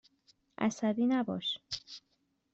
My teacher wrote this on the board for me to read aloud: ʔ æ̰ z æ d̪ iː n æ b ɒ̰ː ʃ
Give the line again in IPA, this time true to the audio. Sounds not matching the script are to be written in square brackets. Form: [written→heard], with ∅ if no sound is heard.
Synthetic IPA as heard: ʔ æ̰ [z→s] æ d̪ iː n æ b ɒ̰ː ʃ